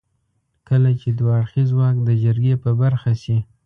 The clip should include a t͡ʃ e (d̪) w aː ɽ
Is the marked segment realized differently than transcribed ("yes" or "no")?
no